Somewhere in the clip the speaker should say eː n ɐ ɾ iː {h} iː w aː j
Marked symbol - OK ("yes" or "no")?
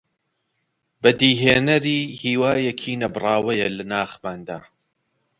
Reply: yes